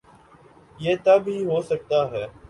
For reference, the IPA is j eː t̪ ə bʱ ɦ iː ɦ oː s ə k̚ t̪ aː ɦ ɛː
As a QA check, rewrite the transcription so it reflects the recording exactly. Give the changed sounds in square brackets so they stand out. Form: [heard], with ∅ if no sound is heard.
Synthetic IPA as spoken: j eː t̪ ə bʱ ɦ iː ɦ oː s ə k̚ t̪ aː ɦ ɛː